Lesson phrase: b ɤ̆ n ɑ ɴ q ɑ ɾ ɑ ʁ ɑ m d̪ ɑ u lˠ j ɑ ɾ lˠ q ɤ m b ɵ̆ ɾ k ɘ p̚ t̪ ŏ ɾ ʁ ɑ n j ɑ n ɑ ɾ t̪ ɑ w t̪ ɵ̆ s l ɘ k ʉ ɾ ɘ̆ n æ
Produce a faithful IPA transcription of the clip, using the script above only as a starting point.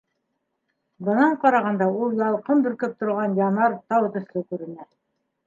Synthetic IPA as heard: b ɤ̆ n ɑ ɴ q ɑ ɾ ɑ ʁ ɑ n d̪ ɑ u lˠ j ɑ lˠ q ɤ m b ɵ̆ ɾ k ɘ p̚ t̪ ŏ ɾ ʁ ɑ n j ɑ n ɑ ɾ t̪ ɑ w t̪ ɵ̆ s l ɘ k ʉ ɾ ɘ̆ n æ